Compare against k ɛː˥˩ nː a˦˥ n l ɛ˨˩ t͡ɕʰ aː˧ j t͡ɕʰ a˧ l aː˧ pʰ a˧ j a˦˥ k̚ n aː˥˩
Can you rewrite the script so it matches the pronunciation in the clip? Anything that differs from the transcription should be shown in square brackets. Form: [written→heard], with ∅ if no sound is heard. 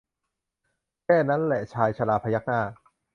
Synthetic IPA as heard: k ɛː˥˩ [nː→n] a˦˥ n l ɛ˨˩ t͡ɕʰ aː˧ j t͡ɕʰ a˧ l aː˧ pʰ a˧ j a˦˥ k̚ n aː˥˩